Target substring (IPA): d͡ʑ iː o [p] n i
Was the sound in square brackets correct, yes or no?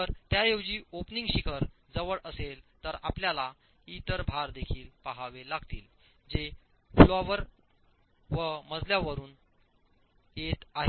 yes